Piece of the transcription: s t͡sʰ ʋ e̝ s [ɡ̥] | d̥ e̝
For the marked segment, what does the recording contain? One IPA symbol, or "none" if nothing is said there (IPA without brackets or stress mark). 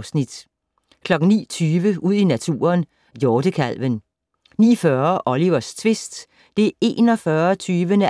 d̥